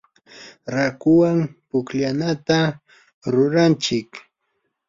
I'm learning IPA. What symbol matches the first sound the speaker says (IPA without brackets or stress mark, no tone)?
ɾ